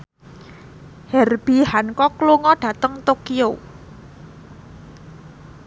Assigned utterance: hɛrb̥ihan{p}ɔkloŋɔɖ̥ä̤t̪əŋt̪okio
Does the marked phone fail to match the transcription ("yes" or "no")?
yes